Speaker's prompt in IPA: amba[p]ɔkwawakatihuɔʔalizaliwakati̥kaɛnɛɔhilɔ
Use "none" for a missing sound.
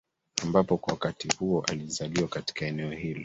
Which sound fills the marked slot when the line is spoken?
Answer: p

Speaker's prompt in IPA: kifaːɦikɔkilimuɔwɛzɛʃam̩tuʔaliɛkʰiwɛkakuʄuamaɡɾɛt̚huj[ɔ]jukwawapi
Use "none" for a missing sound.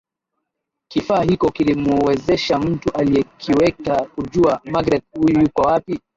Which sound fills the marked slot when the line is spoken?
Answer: u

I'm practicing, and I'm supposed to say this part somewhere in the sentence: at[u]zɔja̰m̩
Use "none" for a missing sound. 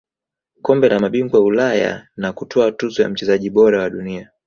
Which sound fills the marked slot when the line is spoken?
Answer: u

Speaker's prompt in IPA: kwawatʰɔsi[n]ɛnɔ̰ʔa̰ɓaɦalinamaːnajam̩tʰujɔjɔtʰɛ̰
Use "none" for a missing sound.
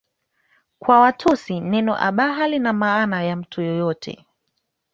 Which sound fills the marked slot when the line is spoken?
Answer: n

